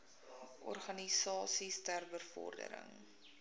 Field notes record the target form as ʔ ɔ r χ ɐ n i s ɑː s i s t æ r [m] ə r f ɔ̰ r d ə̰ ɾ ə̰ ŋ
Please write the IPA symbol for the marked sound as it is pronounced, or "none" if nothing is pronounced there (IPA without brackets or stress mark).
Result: b